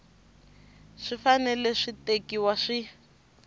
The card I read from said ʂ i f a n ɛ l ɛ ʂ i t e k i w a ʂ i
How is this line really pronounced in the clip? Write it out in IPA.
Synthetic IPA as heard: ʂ i f a n ɛ l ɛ ʂ i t e k i w a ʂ i